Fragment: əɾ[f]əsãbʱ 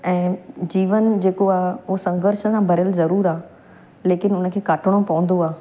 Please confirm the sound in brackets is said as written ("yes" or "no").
no